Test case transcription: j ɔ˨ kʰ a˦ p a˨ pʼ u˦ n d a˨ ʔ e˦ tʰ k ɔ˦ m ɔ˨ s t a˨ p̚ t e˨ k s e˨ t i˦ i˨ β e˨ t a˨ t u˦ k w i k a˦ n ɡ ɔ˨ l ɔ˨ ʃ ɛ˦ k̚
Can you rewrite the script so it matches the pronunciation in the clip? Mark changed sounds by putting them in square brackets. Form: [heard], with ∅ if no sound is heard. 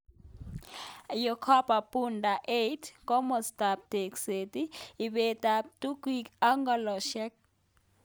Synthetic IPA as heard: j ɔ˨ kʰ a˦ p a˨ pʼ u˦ n d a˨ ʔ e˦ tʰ k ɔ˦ m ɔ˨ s t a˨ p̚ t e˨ k s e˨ t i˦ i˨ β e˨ t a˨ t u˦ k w i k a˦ [ŋ] ɡ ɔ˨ l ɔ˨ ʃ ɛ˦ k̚